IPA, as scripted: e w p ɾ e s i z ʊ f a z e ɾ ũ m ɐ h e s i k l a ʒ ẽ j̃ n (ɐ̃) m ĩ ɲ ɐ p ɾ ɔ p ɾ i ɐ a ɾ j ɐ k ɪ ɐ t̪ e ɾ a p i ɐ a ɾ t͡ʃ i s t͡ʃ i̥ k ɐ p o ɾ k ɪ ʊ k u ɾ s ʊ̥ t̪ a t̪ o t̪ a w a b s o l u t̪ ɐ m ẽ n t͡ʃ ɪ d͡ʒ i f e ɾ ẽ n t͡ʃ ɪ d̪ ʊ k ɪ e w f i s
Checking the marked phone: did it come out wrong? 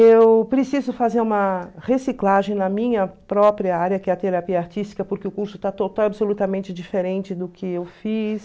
yes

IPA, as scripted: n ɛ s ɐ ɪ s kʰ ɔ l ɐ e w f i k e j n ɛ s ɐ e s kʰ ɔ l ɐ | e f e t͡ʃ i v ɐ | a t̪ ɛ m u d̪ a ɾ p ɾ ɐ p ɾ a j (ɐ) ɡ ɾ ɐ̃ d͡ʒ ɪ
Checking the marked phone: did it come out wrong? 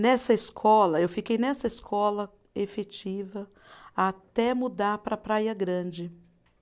no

